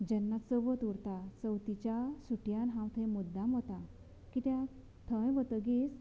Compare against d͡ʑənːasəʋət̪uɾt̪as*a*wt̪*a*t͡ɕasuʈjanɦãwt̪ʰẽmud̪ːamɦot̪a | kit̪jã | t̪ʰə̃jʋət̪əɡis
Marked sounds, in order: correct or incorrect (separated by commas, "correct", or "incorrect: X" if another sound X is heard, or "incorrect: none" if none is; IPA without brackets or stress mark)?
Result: incorrect: ə, incorrect: i